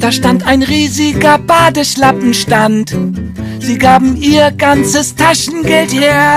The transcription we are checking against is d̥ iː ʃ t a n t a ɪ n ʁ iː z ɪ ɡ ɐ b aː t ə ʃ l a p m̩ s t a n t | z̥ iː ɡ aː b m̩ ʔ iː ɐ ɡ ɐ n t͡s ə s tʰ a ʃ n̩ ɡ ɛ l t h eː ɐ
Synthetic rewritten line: d̥ aː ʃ t a n t a ɪ n ʁ iː z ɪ ɡ ɐ b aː d ə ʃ l a p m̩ ʃ t a n t | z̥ iː ɡ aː b m̩ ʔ iː ɐ ɡ a n t͡s ə s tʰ a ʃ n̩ ɡ ɛ l t h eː ɐ

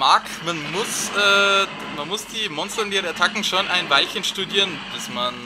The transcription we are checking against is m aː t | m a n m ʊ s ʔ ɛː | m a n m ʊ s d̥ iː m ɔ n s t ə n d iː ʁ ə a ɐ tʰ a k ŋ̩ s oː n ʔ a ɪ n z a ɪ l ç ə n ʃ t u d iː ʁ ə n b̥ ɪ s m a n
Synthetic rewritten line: m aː k | m a n m ʊ s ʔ ɛː | m a n m ʊ s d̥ iː m ɔ n s t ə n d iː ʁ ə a ɐ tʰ a k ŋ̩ ʃ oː n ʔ a ɪ n v a ɪ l ç ə n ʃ t u d iː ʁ ə n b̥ ɪ s m a n

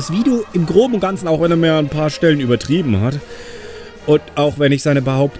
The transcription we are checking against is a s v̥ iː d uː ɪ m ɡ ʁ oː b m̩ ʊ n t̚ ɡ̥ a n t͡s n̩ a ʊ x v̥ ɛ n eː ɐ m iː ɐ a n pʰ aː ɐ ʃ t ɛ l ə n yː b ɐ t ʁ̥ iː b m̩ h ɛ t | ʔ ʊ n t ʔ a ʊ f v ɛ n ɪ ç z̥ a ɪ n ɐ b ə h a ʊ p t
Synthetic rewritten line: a s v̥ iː d uː ɪ m ɡ ʁ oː b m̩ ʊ n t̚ ɡ̥ a n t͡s n̩ a ʊ x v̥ ɛ n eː ɐ m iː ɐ a n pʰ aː ɐ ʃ t ɛ l ə n yː b ɐ t ʁ̥ iː b m̩ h a t | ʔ ʊ n t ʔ a ʊ x v ɛ n ɪ ç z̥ a ɪ n ə b ə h a ʊ p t

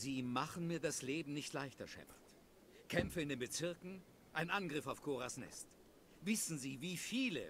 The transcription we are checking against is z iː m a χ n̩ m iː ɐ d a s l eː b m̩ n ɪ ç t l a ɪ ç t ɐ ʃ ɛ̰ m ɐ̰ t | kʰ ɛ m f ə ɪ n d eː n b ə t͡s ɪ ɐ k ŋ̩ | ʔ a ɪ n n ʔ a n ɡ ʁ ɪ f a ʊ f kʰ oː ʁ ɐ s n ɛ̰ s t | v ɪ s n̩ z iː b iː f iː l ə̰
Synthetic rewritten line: z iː m a χ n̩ m iː ɐ d a s l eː b m̩ n ɪ ç t l a ɪ ç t ɐ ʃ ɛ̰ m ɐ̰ t | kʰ ɛ m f ə ɪ n d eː n b ə t͡s ɪ ɐ k ŋ̩ | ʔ a ɪ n n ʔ a n ɡ ʁ ɪ f a ʊ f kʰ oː ʁ a s n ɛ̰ s t | v ɪ s n̩ z iː v iː f iː l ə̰

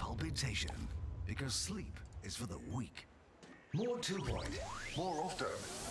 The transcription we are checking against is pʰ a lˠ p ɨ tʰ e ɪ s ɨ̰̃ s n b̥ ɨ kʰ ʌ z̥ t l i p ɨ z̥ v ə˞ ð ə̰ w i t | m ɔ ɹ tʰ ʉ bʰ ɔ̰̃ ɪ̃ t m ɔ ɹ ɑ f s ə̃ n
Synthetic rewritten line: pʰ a lˠ p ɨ tʰ e ɪ ʃ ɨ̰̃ n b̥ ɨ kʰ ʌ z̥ s l i p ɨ z̥ f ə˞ ð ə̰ w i k | m ɔ ɹ tʰ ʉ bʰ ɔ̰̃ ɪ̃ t m ɔ ɹ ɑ f t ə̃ n

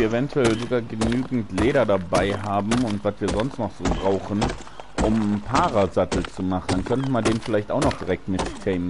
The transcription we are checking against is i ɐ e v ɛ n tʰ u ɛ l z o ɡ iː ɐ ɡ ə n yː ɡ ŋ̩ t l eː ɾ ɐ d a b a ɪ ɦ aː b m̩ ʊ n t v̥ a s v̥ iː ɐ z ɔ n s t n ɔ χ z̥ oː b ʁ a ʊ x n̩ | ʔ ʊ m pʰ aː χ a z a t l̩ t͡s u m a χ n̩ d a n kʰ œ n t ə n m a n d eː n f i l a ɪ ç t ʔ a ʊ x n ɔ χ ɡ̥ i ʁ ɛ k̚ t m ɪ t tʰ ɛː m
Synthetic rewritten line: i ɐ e v ɛ n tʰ u ɛ l z o ɡ aː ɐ ɡ ə n yː ɡ ŋ̩ t l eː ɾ ɐ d a b a ɪ ɦ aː b m̩ ʊ n t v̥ a s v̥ iː ɐ z ɔ n s t n ɔ χ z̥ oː b ʁ a ʊ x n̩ | ʔ ʊ m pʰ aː ʁ a z a t l̩ t͡s u m a χ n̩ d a n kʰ œ n t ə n m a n d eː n f ɪ l a ɪ ç t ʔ a ʊ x n ɔ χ d̥ i ʁ ɛ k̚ t m ɪ t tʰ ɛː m

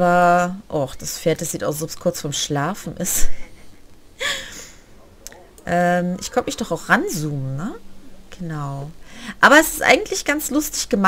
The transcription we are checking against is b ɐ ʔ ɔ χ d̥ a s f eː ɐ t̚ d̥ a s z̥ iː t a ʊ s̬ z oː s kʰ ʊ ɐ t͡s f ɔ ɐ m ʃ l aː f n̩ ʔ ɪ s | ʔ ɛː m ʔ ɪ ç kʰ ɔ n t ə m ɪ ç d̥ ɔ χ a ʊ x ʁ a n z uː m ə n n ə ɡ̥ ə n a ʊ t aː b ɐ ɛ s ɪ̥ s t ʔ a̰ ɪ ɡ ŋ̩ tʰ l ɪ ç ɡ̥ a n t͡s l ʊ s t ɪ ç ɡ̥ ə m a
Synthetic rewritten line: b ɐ ʔ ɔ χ d̥ a s f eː ɐ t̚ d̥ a s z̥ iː t a ʊ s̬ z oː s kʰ ʊ ɐ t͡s f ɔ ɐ m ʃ l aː f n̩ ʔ ɪ s | ʔ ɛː m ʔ ɪ ç kʰ ɔ n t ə m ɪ ç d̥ ɔ χ a ʊ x ʁ a n z uː m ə n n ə ɡ̥ ə n a ʊ ʔ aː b ɐ ɛ s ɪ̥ s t ʔ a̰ ɪ ɡ ŋ̩ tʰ l ɪ ç ɡ̥ a n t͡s l ʊ s t ɪ ç ɡ̥ ə m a

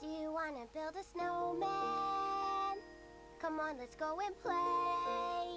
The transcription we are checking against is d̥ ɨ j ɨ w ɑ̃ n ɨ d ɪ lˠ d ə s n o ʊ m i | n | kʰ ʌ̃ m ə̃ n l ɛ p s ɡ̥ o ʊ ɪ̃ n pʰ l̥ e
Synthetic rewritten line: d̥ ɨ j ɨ w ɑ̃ n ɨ b ɪ lˠ d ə s n o ʊ m æ | n | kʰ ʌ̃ m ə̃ n l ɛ t s ɡ̥ o ʊ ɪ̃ n pʰ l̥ e

